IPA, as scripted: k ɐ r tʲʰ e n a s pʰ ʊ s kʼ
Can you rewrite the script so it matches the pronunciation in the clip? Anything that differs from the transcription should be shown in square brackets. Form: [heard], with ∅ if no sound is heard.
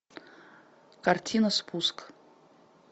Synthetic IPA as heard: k [a] r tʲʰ [i] n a s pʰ [u] s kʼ